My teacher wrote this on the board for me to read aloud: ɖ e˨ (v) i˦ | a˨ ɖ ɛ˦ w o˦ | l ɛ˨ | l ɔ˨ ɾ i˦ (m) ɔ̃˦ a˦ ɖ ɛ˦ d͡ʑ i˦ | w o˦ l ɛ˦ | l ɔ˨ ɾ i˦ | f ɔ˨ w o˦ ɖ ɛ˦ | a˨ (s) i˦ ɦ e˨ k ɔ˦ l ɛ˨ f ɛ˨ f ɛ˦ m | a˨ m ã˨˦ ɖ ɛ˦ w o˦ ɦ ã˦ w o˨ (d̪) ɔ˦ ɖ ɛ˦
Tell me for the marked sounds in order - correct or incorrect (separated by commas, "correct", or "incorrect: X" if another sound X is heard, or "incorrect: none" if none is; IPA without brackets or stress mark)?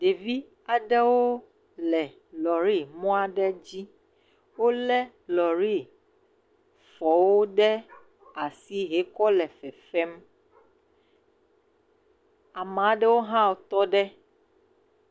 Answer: correct, correct, correct, incorrect: t̪